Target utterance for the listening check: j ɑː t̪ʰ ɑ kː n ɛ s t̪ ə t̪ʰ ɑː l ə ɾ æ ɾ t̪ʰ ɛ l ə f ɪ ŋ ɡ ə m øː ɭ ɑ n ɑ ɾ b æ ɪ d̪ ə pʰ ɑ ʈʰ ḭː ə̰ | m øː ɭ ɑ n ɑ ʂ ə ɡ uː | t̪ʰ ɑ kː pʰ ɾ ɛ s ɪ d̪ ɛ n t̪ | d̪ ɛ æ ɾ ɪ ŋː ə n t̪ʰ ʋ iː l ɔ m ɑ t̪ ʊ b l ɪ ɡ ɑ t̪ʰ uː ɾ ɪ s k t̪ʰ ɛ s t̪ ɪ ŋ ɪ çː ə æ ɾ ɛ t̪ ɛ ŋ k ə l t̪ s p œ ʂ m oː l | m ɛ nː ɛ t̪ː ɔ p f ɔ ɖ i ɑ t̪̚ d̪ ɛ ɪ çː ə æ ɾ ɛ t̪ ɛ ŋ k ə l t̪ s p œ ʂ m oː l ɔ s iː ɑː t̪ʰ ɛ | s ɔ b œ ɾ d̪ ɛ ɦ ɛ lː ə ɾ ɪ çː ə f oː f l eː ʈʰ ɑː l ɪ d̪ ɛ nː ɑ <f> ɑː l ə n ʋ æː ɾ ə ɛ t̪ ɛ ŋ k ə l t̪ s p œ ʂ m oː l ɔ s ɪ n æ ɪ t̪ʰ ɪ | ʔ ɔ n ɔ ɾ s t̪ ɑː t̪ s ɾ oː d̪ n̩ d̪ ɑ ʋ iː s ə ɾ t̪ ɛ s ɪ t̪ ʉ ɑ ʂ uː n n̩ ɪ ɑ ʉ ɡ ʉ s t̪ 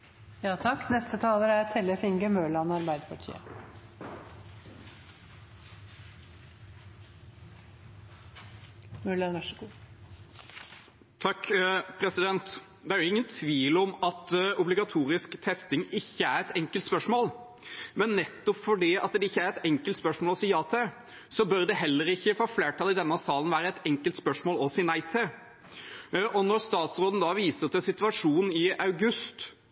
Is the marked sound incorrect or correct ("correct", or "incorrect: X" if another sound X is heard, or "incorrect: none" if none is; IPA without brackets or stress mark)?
incorrect: s